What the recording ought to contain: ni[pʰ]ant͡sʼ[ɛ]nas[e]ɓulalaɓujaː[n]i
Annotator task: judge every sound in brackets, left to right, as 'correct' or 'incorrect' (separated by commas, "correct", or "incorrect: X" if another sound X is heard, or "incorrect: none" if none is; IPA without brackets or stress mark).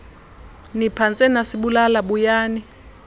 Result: correct, correct, incorrect: i, correct